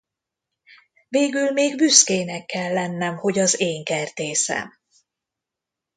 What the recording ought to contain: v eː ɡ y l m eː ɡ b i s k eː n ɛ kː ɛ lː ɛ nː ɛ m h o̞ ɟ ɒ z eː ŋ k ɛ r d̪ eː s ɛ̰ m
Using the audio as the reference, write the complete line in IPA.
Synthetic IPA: v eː ɡ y l m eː ɡ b y s k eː n ɛ kː ɛ lː ɛ nː ɛ m h o̞ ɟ ɒ z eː ŋ k ɛ r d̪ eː s ɛ̰ m